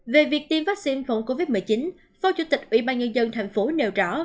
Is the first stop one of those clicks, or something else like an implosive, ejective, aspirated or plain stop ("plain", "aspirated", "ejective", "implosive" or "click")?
plain